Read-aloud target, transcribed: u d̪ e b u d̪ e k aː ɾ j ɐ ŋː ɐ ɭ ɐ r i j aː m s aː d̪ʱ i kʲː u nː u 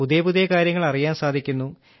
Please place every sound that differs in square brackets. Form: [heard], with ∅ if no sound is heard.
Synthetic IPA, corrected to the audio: u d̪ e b u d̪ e k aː ɾ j ɐ ŋː ɐ ɭ ɐ r i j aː [n] s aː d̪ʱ i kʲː u nː u